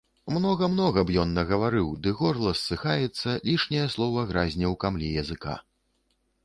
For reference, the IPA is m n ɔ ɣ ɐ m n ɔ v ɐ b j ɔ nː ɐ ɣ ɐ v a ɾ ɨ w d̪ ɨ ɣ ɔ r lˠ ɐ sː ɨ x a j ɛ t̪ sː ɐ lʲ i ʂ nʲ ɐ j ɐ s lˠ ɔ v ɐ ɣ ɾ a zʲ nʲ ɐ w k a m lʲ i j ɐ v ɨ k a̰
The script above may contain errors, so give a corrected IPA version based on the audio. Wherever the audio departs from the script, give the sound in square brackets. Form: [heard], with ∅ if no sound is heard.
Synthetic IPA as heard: m n ɔ ɣ ɐ m n ɔ [ɣ] ɐ b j ɔ nː ɐ ɣ ɐ v a ɾ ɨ w d̪ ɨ ɣ ɔ r lˠ ɐ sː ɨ x a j ɛ t̪ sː ɐ lʲ i ʂ nʲ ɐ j ɐ s lˠ ɔ v ɐ ɣ ɾ a zʲ nʲ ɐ w k a m lʲ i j ɐ [z] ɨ k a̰

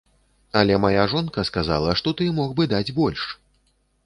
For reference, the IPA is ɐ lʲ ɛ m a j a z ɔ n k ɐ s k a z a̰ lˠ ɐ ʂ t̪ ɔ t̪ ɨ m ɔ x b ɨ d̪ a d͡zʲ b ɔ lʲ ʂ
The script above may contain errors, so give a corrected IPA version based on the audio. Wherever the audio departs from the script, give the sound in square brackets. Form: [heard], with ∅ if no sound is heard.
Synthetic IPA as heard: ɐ lʲ ɛ m a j a [ʐ] ɔ n k ɐ s k a z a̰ lˠ ɐ ʂ t̪ ɔ t̪ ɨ m ɔ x b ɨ d̪ a d͡zʲ b ɔ lʲ ʂ

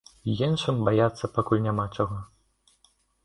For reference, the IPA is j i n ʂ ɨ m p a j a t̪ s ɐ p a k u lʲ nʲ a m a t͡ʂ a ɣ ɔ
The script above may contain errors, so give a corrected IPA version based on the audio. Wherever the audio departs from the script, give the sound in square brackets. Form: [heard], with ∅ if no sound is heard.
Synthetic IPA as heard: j i n ʂ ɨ m [b] a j a t̪ [sː] ɐ p a k u lʲ nʲ a m a t͡ʂ a ɣ ɔ

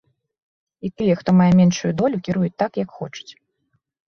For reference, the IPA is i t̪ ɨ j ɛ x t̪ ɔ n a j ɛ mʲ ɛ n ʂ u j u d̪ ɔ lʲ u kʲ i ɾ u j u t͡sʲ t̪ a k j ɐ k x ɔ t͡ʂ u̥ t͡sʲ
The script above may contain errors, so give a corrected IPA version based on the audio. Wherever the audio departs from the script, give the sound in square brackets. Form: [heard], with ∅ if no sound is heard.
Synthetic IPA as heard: i t̪ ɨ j ɛ x t̪ ɔ [m] a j ɛ mʲ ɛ n ʂ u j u d̪ ɔ lʲ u kʲ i ɾ u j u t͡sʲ t̪ a k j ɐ k x ɔ t͡ʂ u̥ t͡sʲ

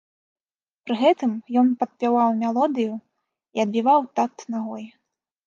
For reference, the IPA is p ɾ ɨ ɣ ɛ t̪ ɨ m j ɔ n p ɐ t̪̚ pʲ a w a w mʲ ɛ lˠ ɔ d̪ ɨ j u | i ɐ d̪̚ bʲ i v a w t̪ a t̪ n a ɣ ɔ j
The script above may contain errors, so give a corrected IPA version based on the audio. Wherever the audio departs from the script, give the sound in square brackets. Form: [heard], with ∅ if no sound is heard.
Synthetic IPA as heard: p ɾ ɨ ɣ ɛ t̪ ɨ m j ɔ n p ɐ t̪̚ pʲ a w a w mʲ ɛ lˠ ɔ d̪ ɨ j u | i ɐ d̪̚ bʲ i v a w t̪ a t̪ n a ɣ ɔ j

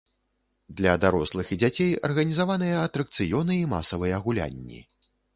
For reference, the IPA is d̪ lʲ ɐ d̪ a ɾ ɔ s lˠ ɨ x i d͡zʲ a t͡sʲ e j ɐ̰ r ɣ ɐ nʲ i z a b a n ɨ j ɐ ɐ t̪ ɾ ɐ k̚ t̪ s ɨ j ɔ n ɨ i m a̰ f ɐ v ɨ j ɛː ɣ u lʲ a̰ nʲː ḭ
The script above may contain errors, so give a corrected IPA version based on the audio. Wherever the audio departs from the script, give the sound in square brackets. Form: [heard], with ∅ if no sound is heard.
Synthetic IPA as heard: d̪ lʲ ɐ d̪ a ɾ ɔ s lˠ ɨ x i d͡zʲ a t͡sʲ e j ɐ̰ r ɣ ɐ nʲ i z a [v] a n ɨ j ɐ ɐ t̪ ɾ ɐ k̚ t̪ s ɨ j ɔ n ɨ i m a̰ [s] ɐ v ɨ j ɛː ɣ u lʲ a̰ nʲː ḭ

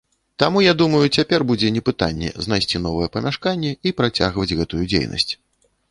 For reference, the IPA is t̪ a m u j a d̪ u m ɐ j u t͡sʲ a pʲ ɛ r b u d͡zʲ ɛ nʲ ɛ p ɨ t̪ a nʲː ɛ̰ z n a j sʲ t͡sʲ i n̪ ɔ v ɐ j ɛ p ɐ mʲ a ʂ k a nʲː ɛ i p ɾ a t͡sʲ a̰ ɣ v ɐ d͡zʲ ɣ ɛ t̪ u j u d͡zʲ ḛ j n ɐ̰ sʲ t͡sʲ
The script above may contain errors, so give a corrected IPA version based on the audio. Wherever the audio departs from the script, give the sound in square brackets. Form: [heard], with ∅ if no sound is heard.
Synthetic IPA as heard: t̪ a m u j a d̪ u m ɐ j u t͡sʲ a pʲ ɛ r b u d͡zʲ ɛ nʲ ɛ p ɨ t̪ a nʲː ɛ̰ z n a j sʲ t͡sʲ i n̪ ɔ v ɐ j ɛ p ɐ mʲ a ʂ k a nʲː ɛ i p ɾ a t͡sʲ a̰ ɣ v ɐ d͡zʲ ɣ ɛ t̪ u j u d͡zʲ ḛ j n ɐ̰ sʲ t͡sʲ

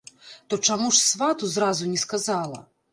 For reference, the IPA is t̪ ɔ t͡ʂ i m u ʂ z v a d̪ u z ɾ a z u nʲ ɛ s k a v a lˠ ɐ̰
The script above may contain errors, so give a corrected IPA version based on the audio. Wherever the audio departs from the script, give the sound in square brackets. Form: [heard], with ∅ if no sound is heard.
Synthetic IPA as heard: t̪ ɔ t͡ʂ [a] m u ʂ [s] v a [t̪] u z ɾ a z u nʲ ɛ s k a [z] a lˠ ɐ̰

